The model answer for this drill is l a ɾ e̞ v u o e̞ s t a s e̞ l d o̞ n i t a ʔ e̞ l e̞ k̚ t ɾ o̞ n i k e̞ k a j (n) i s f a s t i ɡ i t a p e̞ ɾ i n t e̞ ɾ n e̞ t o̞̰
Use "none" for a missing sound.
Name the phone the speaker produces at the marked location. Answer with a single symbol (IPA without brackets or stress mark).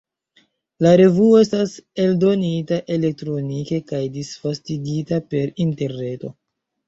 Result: d